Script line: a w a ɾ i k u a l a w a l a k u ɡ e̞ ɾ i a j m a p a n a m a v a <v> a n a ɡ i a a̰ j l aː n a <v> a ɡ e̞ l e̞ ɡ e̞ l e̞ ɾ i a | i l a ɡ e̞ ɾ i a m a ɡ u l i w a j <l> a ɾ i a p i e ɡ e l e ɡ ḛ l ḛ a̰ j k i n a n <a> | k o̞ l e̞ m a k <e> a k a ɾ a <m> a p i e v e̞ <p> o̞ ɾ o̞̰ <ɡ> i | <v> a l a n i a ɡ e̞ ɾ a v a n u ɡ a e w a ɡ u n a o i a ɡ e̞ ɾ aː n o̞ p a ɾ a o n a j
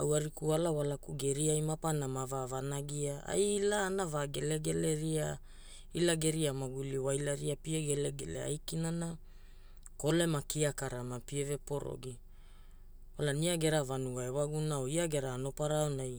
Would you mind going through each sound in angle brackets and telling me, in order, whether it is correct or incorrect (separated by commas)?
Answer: correct, correct, correct, correct, incorrect, correct, correct, correct, incorrect